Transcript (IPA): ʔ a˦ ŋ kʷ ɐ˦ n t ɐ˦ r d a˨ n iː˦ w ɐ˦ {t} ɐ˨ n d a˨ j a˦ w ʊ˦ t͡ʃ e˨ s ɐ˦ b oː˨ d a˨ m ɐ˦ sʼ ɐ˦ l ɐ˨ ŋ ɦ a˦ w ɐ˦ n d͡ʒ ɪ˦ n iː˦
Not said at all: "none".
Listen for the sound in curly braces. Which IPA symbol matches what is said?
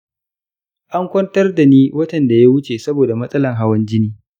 t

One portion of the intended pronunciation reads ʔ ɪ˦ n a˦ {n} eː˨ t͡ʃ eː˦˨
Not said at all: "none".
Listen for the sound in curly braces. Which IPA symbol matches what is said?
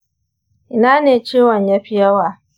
n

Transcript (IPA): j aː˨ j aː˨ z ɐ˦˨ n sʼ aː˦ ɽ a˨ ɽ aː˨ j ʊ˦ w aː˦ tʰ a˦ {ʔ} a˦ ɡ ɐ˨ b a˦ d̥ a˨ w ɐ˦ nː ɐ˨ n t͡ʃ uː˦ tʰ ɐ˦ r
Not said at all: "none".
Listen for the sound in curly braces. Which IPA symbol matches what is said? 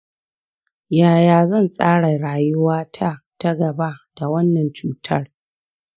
t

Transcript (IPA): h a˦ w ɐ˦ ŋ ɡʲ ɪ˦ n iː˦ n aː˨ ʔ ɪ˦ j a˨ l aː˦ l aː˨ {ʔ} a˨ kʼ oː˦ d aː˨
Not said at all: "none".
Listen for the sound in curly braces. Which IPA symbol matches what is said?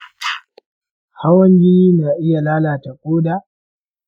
t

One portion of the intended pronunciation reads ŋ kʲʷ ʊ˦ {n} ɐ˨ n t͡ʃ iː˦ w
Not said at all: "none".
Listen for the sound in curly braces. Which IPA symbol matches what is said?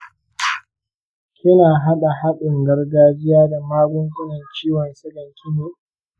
n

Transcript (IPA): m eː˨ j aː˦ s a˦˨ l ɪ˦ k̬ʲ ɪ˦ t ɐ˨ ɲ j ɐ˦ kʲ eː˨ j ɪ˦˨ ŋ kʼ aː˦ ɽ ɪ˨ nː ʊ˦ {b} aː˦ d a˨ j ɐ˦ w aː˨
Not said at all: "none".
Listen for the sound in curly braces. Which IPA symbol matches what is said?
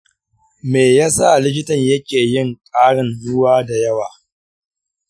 w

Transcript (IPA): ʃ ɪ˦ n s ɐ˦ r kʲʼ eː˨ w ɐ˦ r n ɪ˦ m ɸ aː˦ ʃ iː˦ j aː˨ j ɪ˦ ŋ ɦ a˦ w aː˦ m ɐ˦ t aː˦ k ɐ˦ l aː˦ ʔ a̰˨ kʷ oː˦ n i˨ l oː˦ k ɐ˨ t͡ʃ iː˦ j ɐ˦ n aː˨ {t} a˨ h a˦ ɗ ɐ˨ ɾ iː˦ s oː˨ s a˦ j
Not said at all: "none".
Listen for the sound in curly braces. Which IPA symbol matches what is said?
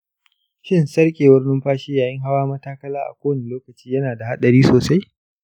d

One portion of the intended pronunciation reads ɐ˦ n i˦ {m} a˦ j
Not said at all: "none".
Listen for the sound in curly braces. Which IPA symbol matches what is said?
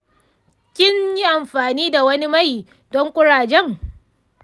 m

